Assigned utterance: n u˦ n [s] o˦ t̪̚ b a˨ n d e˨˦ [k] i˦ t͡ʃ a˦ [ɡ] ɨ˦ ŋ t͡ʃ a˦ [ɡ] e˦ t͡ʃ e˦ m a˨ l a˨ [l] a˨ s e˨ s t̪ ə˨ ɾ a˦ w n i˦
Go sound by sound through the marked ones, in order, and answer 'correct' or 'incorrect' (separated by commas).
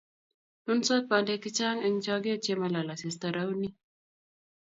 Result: correct, correct, incorrect, correct, correct